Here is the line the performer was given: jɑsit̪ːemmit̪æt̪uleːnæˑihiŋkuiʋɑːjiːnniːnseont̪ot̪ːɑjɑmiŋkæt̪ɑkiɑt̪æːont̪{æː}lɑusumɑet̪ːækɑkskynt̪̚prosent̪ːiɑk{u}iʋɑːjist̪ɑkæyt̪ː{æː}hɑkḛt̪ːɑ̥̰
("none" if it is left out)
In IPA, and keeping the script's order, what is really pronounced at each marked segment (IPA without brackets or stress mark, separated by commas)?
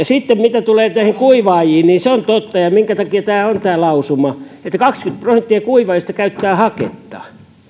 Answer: æː, u, æː